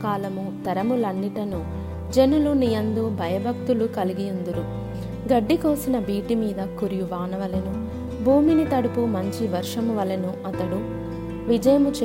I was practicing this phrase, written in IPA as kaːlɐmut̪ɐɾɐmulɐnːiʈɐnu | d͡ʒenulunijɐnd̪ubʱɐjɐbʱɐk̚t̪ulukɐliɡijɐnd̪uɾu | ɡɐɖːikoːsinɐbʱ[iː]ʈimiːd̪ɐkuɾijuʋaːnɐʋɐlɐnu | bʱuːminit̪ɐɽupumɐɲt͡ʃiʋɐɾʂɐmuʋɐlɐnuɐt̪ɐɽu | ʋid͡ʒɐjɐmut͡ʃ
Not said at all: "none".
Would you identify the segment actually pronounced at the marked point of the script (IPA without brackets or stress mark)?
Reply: iː